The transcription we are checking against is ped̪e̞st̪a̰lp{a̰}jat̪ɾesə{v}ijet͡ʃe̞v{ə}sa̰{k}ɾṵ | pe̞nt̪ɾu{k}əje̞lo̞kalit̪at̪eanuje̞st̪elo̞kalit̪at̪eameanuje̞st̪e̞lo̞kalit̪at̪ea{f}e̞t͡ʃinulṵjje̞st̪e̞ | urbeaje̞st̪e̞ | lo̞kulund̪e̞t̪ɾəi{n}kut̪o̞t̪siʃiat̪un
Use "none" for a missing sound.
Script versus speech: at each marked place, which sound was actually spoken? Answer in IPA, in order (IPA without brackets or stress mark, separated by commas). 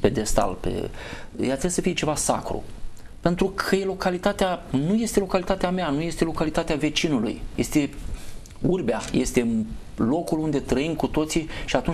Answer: ḛ, f, a, k, kʰ, v, m